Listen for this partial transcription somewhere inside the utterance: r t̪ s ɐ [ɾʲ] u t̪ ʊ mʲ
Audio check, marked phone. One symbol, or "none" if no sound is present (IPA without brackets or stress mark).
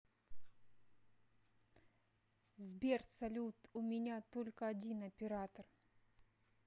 lʲ